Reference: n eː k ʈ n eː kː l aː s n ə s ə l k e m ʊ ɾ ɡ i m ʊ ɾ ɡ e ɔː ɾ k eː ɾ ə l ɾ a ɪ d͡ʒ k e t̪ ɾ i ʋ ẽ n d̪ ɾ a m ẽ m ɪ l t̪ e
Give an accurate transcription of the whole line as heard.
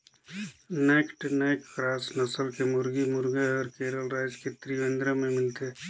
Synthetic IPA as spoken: n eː k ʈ n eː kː ɾ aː s n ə s ə l k e m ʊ ɾ ɡ i m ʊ ɾ ɡ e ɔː ɾ k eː ɾ ə l ɾ a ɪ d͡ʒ k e t̪ ɾ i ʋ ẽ n d̪ ɾ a m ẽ m ɪ l t̪ e